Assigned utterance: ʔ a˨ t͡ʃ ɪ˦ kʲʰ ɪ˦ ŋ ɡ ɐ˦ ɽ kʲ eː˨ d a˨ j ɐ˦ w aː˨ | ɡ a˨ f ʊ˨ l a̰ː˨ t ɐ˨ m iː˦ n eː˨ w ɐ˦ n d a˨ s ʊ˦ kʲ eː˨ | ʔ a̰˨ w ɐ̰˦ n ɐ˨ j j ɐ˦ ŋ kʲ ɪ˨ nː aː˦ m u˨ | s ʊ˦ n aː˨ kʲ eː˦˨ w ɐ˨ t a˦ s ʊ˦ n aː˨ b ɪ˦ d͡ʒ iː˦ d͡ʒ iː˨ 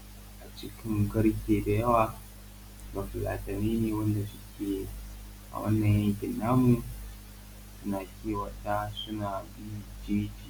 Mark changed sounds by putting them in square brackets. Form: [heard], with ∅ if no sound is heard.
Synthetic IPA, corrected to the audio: ʔ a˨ t͡ʃ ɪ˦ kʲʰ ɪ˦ ŋ ɡ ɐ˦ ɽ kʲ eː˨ d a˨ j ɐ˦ w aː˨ | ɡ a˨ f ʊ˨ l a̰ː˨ t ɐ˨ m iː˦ n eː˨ w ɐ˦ n d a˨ s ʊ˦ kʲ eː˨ | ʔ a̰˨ w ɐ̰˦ [nː] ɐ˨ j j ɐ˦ ŋ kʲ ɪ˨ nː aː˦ m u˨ | s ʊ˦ n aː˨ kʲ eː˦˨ w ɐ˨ t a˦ s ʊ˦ n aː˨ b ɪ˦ d͡ʒ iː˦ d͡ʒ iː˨